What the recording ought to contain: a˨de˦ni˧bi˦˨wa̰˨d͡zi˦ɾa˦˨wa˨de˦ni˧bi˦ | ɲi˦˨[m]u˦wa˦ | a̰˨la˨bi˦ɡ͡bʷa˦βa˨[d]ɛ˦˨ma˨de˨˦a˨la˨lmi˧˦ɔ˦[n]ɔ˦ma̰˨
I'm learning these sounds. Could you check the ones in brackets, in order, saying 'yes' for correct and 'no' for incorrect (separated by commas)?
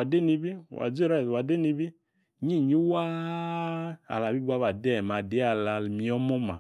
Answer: no, yes, no